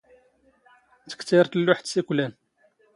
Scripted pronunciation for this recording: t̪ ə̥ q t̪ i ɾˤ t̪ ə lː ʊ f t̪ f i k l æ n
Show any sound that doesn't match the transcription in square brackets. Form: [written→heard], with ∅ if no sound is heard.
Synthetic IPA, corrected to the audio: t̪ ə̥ [q→k] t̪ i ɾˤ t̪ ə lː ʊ [f→ħ] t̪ [f→s] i k l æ n

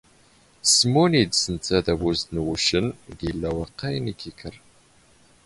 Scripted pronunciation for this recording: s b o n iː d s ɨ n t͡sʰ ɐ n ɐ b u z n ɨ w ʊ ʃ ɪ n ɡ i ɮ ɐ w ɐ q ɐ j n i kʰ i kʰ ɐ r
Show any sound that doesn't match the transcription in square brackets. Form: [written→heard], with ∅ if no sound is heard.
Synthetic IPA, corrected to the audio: s [b→m] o n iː d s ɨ n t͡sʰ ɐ [n→d] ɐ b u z n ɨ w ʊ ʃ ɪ n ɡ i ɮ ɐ w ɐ q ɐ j n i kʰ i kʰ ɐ r

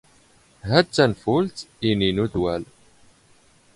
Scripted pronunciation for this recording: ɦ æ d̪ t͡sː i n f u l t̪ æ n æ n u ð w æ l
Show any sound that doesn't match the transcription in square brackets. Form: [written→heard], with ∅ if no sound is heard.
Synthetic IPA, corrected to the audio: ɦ æ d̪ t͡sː [i→æ] n f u l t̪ [æ→i] n [æ→i] n u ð w æ l

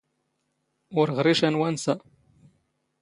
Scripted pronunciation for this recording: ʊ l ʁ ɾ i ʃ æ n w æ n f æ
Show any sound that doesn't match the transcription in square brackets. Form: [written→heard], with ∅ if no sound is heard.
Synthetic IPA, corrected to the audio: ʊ [l→ɾ] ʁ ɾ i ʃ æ n w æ n [f→s] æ

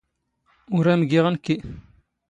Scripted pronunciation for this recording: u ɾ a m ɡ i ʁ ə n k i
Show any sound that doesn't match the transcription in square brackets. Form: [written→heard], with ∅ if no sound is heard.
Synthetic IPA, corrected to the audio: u ɾ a m ɡ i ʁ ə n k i

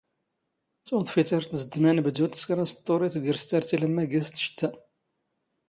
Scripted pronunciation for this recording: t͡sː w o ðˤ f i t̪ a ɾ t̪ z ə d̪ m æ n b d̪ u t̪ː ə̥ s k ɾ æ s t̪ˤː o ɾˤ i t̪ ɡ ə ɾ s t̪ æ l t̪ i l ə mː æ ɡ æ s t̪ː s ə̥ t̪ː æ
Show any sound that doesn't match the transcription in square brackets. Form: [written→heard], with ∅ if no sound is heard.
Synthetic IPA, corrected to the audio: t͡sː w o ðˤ f i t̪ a ɾ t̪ z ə d̪ m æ n b d̪ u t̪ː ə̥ s k ɾ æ s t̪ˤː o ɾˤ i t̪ ɡ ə ɾ s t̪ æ [l→ɾ] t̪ i l ə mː æ ɡ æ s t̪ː [s→ʃ] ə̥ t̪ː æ

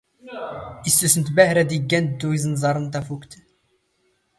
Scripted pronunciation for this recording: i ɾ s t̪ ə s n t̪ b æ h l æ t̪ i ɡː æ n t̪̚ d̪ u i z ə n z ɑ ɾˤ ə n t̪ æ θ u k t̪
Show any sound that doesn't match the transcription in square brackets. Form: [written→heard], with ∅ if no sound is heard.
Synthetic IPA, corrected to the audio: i [ɾ→∅] s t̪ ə s n t̪ b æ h [l→ɾ] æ [t̪→d̪] i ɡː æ n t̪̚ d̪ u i z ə n z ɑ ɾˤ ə n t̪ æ [θ→f] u k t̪

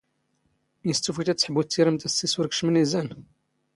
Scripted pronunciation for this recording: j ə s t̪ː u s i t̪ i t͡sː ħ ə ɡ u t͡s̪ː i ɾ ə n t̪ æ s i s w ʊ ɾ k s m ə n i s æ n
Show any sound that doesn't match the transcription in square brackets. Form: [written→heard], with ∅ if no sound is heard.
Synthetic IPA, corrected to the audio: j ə s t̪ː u [s→f] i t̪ [i→æ] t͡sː ħ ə [ɡ→b] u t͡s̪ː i ɾ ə [n→m] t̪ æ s i s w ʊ ɾ k [s→ʃ] m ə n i [s→z] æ n

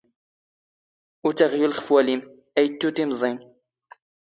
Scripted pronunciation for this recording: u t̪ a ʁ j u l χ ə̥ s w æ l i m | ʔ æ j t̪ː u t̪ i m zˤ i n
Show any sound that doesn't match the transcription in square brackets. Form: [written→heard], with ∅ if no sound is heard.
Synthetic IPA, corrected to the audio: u t̪ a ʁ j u l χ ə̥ [s→f] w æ l i m | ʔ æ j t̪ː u t̪ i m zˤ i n

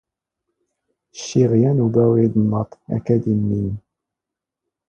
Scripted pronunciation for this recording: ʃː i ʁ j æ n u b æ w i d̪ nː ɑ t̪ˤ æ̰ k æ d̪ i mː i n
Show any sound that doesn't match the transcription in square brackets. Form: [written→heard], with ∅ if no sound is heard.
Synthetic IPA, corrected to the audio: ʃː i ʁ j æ n u b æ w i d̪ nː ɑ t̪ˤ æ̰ k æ d̪ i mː i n

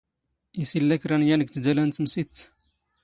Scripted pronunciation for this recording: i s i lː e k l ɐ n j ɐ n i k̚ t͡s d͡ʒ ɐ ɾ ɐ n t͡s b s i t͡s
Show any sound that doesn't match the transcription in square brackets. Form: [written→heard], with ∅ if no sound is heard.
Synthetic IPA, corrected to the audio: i s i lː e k [l→ɾ] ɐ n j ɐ n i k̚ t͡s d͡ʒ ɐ [ɾ→l] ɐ n t͡s [b→m] s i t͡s

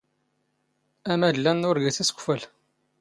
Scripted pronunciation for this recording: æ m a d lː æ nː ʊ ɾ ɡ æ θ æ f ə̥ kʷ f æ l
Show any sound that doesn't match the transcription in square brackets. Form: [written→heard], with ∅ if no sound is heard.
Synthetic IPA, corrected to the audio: æ m [a→æ] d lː æ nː ʊ ɾ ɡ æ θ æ [f→s] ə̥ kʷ f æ l

